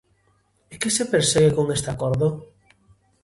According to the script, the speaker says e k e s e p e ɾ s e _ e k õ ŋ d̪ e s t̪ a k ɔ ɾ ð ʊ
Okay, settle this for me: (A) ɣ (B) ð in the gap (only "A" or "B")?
A